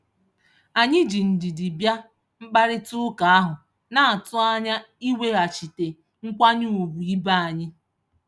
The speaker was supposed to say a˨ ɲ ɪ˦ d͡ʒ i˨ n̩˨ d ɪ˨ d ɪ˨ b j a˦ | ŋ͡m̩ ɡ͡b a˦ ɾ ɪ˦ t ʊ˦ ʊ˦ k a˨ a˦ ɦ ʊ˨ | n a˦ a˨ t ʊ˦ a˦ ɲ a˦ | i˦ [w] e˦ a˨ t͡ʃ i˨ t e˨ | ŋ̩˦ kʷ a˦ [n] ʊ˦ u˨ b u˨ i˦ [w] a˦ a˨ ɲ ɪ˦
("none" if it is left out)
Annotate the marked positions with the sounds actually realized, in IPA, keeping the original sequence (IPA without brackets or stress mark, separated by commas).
w, ɲ, b